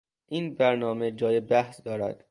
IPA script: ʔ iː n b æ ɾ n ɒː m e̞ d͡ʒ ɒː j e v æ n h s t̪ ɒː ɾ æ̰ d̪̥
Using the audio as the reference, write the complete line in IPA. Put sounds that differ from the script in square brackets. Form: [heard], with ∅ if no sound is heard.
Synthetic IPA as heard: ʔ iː n b æ ɾ n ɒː m e̞ d͡ʒ ɒː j e [b] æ [∅] h s [d̪] ɒː ɾ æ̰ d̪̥